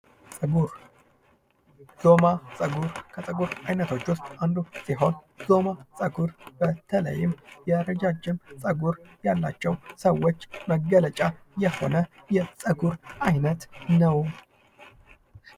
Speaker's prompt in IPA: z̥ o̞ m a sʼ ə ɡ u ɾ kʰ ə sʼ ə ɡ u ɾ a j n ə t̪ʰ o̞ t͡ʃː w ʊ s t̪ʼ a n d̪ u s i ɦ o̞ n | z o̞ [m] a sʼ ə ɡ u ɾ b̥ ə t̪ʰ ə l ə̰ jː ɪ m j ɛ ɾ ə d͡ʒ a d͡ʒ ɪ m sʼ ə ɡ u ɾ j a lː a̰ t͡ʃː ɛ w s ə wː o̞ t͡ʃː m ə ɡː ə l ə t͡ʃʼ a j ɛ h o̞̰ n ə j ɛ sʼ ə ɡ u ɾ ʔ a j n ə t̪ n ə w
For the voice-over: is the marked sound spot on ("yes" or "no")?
yes